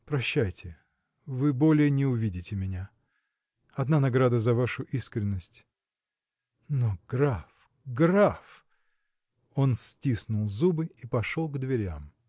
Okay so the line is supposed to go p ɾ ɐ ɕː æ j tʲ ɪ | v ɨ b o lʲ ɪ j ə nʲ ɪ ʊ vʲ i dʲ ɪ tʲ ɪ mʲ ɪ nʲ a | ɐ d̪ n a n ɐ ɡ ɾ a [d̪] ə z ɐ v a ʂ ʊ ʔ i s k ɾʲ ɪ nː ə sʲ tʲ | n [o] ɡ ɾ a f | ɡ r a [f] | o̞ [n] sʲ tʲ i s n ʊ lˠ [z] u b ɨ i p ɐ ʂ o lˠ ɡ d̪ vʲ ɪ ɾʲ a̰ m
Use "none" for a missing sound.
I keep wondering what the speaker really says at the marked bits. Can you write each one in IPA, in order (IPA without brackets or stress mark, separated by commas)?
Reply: d̪, o, f, n, z